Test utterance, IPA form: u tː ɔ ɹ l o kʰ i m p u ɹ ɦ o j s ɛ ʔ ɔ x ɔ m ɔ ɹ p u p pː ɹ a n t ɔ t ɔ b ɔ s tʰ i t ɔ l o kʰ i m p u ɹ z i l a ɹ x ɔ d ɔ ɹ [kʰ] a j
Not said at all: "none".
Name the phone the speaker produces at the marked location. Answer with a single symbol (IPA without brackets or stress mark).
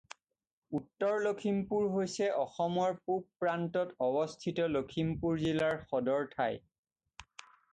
tʰ